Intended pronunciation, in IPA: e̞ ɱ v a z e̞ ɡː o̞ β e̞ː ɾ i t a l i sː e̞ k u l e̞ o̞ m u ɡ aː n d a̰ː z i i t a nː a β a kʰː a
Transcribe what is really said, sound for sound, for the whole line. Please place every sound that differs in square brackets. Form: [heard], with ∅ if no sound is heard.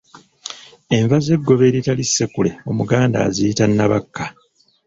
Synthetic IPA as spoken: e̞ ɱ v a z e̞ ɡː o̞ β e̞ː ɾ i t a l i sː e̞ k u l e̞ o̞ m u ɡ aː n d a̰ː z i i t a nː a β a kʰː a